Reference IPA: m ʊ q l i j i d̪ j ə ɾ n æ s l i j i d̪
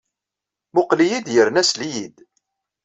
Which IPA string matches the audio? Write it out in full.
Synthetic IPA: m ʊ q l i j i d̪ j ə ɾ n æ s l i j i d̪